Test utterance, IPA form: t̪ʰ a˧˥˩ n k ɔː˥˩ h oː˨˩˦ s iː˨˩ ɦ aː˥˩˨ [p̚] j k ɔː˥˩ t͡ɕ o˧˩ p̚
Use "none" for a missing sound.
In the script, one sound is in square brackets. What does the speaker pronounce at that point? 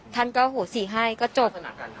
none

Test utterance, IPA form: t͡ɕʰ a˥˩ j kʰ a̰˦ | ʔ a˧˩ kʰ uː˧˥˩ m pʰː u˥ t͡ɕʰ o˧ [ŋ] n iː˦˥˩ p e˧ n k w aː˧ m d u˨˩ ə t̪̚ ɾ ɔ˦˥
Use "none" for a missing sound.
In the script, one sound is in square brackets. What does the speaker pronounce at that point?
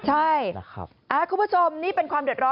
m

